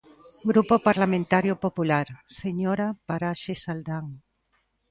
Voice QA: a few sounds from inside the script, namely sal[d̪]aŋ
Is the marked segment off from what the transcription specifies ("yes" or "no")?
no